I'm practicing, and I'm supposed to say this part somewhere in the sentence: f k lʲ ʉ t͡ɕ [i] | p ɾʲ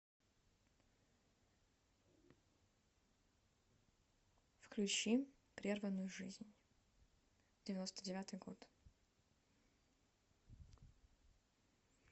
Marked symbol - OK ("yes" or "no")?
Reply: yes